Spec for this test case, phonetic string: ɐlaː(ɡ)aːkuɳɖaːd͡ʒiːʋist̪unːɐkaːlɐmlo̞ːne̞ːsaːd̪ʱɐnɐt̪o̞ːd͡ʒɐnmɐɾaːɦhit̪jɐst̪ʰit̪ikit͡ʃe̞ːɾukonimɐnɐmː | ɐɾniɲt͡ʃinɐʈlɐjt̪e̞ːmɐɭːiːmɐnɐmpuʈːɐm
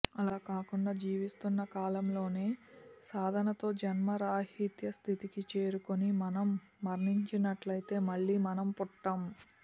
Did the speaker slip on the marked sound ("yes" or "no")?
yes